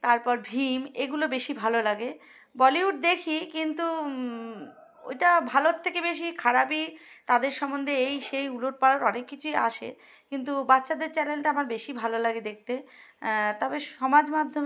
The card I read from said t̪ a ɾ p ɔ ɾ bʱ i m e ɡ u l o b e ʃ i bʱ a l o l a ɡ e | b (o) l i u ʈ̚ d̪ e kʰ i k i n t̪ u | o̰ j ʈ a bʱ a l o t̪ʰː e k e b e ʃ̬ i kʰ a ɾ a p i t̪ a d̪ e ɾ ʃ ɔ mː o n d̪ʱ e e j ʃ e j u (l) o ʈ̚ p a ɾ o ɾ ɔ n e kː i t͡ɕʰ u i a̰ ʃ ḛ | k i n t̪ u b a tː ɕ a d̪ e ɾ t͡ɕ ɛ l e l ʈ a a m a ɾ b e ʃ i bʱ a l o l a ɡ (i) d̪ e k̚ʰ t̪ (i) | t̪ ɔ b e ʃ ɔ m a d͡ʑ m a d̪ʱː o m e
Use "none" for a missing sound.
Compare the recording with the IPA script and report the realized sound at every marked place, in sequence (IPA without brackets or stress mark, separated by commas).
ɔ, l, e, e